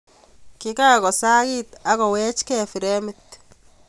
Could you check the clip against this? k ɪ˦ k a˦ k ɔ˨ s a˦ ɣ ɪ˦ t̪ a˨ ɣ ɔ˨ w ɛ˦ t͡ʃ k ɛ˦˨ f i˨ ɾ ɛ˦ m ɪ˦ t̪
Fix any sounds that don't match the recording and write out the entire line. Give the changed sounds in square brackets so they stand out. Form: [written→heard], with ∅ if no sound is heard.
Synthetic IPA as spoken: k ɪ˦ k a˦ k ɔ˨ s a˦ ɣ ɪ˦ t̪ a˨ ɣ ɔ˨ w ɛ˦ t͡ʃ k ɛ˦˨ f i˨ ɾ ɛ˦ m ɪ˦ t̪